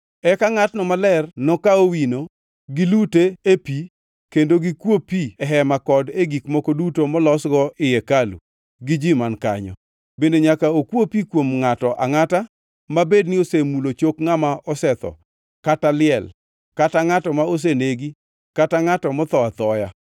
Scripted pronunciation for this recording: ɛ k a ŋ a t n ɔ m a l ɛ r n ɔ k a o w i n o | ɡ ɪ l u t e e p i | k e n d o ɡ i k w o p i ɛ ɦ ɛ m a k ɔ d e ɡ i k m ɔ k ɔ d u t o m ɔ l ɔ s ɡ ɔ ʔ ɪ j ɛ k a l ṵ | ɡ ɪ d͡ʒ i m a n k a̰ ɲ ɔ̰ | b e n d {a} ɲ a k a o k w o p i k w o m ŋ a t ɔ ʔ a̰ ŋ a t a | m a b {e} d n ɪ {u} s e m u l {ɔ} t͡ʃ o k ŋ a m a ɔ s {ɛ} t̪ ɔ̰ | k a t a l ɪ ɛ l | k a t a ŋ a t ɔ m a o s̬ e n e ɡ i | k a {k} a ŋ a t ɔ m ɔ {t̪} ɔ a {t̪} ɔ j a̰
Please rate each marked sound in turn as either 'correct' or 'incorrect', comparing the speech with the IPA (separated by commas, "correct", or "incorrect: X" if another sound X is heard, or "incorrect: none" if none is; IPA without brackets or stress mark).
incorrect: e, correct, incorrect: o, incorrect: o, correct, incorrect: t, correct, correct